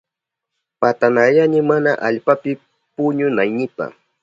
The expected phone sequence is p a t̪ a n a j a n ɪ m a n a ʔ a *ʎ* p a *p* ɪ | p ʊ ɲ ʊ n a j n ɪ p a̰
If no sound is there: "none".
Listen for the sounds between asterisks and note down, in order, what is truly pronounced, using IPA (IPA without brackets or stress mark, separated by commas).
ʎ, p